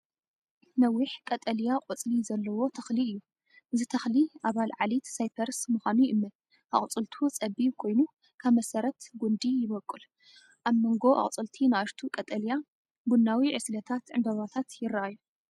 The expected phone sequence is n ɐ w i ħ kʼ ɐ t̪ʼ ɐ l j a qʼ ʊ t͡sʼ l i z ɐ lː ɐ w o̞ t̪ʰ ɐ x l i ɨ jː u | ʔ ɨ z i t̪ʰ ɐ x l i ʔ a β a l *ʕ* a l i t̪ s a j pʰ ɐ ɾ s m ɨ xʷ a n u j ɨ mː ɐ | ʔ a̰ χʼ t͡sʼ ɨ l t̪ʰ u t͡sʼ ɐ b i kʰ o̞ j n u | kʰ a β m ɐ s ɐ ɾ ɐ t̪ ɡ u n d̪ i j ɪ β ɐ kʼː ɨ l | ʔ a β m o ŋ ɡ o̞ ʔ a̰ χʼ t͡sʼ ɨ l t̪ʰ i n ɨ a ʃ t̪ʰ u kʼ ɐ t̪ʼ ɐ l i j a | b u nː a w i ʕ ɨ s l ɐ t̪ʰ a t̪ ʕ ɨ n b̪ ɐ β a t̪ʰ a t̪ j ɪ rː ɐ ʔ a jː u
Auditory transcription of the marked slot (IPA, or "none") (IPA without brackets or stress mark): ʕ